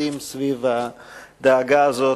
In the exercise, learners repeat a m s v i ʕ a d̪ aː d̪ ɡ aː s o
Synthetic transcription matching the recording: i m s v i v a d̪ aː ɡ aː z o